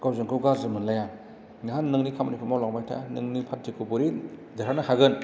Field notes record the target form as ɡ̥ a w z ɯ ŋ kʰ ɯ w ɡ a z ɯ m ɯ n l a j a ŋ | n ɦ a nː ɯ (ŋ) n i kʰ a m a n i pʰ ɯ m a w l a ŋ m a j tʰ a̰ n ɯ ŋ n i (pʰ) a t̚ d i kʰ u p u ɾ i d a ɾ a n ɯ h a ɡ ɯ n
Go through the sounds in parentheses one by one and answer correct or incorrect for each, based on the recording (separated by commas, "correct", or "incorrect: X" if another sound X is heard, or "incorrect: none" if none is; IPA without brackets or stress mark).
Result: correct, correct